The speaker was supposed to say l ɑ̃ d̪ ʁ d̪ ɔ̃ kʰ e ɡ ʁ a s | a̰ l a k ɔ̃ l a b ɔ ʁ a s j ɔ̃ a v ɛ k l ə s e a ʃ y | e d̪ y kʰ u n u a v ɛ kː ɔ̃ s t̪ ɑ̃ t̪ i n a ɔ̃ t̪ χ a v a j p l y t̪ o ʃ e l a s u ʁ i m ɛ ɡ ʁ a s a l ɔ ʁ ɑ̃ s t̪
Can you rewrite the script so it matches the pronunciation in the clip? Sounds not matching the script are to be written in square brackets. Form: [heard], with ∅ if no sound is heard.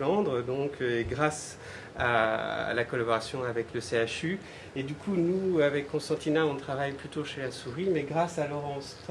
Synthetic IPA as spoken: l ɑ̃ d̪ ʁ d̪ ɔ̃ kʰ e ɡ ʁ a s | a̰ l a k [ɔ] l a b ɔ ʁ a s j ɔ̃ a v ɛ k l ə s e a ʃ y | e d̪ y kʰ u n u a v ɛ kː ɔ̃ s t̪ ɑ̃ t̪ i n a ɔ̃ t̪ χ a v a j p l y t̪ o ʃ e l a s u ʁ i m ɛ ɡ ʁ a s a l ɔ ʁ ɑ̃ s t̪